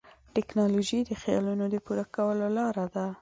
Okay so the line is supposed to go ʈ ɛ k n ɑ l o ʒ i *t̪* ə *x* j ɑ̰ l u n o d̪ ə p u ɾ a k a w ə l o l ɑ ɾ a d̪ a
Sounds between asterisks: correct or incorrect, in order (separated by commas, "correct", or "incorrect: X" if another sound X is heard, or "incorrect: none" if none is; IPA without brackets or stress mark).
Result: incorrect: d̪, correct